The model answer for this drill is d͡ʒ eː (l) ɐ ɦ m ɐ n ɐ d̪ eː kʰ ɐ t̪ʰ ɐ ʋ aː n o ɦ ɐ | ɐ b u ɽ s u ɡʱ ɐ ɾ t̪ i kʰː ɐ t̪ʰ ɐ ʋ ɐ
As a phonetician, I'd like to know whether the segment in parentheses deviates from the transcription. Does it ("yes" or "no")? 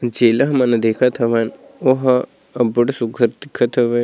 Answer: no